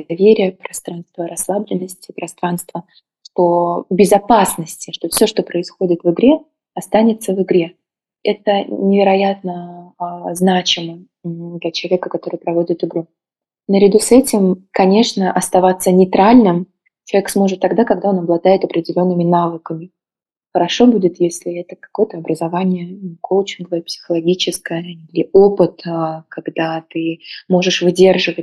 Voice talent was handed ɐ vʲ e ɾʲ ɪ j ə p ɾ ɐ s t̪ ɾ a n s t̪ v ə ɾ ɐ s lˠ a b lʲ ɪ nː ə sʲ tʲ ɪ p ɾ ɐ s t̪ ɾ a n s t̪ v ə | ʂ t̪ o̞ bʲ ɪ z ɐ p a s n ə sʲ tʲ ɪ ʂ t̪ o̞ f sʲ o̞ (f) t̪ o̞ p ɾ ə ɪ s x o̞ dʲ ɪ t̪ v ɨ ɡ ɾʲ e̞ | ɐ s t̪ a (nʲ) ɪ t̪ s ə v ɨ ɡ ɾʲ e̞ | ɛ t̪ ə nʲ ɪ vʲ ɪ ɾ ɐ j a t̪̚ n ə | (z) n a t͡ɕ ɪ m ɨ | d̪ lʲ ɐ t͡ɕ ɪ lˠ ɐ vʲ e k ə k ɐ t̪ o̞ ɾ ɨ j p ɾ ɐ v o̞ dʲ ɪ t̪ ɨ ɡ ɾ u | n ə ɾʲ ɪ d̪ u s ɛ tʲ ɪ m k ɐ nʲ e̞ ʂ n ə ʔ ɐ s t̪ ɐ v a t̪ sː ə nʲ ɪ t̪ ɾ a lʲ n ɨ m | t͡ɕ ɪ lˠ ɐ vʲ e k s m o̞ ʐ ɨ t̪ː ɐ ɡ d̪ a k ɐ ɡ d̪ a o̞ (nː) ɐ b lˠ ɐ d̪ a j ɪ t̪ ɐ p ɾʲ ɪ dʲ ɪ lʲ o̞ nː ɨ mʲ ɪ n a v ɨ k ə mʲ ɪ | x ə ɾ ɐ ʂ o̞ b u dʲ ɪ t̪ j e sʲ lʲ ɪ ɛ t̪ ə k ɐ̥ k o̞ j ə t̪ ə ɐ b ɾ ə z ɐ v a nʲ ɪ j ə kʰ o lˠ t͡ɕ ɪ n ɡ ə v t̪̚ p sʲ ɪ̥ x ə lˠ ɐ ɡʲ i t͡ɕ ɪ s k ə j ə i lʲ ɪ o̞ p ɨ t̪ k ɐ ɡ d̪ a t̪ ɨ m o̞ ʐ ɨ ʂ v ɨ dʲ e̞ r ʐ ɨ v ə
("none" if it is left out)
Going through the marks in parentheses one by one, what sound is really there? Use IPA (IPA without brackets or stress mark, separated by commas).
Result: ʂ, nʲ, z, n